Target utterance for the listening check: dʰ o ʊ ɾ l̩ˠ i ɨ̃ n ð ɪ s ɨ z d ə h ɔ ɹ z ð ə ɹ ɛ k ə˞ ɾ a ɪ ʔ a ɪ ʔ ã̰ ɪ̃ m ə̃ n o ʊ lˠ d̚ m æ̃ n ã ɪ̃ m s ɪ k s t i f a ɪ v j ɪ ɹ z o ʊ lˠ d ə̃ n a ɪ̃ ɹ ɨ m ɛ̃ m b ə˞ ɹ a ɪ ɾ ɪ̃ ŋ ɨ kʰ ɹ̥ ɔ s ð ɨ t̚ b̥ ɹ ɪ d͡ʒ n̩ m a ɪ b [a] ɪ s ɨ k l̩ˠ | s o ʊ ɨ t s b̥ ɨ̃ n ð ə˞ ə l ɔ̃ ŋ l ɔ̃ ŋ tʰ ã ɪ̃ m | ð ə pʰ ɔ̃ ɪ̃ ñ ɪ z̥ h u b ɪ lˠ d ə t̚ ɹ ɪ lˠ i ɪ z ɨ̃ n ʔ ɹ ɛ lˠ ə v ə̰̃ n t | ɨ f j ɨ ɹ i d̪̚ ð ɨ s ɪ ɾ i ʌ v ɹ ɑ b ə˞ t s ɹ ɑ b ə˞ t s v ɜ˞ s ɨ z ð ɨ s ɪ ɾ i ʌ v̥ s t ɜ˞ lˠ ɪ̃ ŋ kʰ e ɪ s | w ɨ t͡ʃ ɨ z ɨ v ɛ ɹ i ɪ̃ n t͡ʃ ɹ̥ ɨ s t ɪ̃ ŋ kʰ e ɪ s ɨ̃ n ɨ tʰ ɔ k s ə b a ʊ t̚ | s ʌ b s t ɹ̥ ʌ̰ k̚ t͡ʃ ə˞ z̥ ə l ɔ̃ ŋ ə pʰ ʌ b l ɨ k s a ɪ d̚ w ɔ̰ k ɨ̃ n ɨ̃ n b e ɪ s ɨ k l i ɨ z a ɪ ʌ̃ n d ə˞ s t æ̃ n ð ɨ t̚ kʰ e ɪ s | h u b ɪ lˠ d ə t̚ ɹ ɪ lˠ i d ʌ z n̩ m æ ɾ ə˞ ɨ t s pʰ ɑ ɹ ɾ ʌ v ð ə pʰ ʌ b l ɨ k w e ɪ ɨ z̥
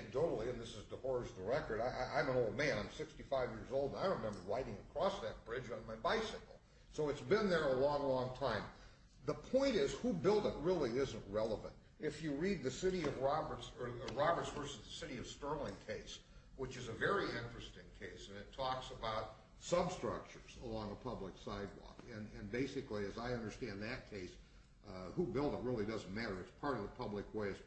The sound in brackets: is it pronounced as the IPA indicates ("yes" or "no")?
yes